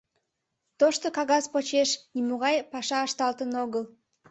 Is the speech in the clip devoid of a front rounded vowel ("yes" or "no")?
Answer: yes